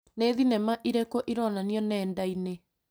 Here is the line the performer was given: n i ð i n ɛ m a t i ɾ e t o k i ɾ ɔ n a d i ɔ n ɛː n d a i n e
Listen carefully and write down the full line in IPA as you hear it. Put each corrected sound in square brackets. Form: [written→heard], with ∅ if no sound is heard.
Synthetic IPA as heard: n [i→e] ð i n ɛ m a [t→ʔ] i ɾ e [t→k] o [k→ʔ] i ɾ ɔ n a [d→n] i ɔ n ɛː n d a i n e